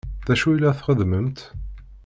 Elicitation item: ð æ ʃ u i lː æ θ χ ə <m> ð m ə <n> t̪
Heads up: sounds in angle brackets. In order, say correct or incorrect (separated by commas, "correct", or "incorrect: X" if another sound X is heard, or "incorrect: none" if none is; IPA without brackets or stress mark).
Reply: incorrect: none, incorrect: m